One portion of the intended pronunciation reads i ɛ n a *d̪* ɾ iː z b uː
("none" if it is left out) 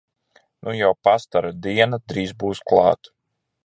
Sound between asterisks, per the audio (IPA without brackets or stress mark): d̪